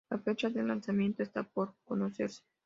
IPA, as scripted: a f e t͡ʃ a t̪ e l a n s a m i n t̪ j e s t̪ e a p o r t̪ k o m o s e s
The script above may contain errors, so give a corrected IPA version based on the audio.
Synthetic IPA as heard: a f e t͡ʃ a d̪ e l a n s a m i n t̪ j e s t̪ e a p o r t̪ k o n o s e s